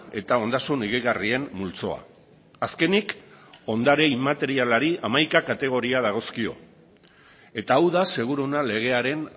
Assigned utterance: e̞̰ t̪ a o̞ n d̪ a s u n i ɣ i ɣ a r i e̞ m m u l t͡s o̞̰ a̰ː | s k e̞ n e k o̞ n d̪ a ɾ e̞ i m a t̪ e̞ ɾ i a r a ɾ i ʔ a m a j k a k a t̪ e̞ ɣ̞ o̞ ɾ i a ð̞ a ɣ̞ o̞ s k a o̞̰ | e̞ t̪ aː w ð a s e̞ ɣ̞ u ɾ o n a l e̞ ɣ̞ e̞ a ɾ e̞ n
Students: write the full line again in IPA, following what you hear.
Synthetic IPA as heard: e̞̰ t̪ a o̞ n d̪ a s u n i ɣ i ɣ a r i e̞ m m u l t͡s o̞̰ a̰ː | s k e̞ n i k o̞ n d̪ a ɾ e̞ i m a t̪ e̞ ɾ i a l a ɾ i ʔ a m a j k a k a t̪ e̞ ɣ̞ o̞ ɾ i a ð̞ a ɣ̞ o̞ s k i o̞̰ | e̞ t̪ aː w ð a s e̞ ɣ̞ u ɾ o n a l e̞ ɣ̞ e̞ a ɾ e̞ n